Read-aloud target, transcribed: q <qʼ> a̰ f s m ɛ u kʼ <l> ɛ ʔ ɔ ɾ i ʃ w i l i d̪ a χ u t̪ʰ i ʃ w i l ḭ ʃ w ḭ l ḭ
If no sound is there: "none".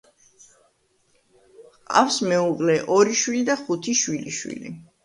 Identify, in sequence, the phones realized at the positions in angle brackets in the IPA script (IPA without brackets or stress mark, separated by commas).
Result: qʼ, l